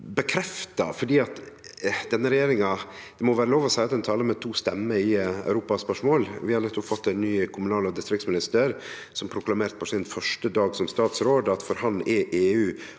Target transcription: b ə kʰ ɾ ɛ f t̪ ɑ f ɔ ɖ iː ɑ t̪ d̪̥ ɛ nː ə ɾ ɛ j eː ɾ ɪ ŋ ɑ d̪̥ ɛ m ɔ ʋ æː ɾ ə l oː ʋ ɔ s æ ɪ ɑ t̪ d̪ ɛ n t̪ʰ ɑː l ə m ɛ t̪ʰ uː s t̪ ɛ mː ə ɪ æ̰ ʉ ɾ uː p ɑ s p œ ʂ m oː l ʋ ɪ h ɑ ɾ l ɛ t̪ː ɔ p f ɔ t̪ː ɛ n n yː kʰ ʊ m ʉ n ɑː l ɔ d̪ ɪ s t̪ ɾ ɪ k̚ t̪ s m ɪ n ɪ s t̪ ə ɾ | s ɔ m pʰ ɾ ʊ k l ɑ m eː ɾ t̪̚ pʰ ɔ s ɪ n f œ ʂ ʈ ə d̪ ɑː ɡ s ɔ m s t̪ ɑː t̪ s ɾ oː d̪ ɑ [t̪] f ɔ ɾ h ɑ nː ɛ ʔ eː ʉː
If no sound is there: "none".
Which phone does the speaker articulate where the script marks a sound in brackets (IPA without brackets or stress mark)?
t̪